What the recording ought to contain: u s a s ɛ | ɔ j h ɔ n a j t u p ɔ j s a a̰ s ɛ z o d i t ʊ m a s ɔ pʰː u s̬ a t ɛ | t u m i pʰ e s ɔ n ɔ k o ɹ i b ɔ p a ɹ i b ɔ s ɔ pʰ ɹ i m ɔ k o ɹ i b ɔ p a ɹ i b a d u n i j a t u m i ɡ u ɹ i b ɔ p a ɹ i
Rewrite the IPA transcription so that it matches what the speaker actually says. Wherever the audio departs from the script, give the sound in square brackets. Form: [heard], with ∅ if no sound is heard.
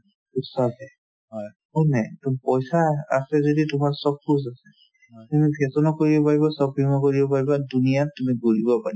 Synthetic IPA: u s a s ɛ | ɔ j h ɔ n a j t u p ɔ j s a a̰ s ɛ z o d i t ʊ m a s ɔ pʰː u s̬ a [s] ɛ | t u m i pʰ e s ɔ n ɔ k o ɹ i b ɔ p a ɹ i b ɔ s ɔ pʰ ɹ i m ɔ k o ɹ i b ɔ p a ɹ i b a d u n i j a t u m i ɡ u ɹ i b ɔ p a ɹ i